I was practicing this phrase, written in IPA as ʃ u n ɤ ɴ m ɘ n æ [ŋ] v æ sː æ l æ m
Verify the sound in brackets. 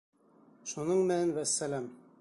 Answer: incorrect: n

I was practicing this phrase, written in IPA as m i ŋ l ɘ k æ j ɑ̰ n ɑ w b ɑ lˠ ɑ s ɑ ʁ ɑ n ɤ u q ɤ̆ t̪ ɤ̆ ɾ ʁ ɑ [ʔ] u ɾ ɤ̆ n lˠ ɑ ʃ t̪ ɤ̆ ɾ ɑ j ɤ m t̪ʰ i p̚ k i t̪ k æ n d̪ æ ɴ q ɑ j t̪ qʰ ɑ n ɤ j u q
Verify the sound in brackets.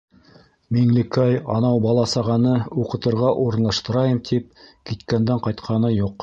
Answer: correct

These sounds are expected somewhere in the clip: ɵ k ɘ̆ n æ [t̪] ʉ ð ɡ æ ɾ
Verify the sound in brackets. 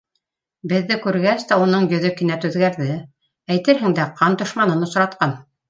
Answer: correct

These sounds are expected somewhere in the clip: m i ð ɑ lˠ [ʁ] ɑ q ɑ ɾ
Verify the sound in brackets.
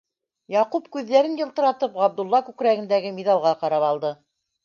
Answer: correct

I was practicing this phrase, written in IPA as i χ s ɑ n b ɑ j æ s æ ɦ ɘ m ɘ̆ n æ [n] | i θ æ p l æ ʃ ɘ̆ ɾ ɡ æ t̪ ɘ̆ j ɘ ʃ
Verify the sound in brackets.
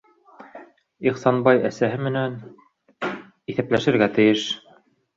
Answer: correct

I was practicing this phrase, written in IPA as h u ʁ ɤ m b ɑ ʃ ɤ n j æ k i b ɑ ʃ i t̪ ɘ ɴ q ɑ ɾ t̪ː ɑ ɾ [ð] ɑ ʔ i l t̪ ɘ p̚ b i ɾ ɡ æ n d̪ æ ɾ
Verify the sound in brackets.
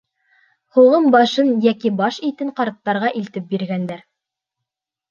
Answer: incorrect: ʁ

